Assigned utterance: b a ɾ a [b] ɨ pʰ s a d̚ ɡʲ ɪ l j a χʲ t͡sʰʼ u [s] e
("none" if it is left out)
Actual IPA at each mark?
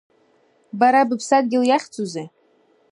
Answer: b, z

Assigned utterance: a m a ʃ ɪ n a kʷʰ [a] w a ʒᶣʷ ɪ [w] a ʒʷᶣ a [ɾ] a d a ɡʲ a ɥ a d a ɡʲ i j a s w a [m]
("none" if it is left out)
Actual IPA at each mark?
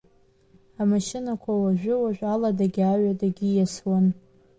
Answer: a, w, l, n

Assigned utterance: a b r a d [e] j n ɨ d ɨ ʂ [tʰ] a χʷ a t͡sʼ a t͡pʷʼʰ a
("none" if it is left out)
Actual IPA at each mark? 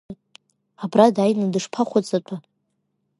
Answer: a, pʰ

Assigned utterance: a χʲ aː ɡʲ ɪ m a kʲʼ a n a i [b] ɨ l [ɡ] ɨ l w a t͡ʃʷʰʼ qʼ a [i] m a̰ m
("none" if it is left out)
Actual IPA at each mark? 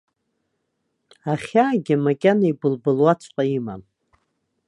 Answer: b, b, i

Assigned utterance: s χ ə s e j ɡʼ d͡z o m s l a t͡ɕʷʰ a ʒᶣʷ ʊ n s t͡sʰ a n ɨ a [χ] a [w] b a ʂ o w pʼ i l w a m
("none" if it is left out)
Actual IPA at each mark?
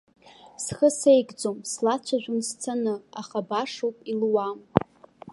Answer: χ, none

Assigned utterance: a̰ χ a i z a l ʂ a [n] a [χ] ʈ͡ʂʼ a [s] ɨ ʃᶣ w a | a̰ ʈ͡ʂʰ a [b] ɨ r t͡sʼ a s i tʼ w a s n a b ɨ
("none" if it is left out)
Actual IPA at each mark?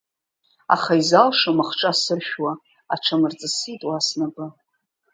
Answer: m, χ, s, m

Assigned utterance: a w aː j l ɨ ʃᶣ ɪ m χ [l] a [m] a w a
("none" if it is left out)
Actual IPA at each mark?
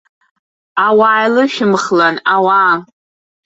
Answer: l, n

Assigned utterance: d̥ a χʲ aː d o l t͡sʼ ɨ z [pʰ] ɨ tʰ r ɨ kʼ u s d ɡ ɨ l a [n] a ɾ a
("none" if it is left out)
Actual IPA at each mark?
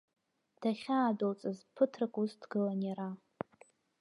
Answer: pʰ, n

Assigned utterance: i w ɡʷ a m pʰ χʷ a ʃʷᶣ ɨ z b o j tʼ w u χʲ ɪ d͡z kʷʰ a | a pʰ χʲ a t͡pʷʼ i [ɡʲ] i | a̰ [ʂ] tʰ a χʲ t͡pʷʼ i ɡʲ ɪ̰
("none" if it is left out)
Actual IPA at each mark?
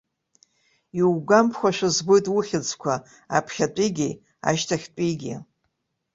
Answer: ɡʲ, ʃ

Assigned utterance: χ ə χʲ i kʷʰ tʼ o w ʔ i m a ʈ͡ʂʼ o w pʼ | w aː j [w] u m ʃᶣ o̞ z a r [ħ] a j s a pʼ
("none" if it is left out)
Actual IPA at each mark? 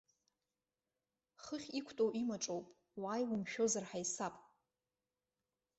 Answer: w, ħ

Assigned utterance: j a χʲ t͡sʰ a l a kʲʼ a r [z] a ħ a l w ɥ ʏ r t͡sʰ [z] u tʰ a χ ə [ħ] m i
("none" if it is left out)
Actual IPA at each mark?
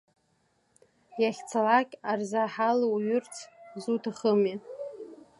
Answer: z, z, none

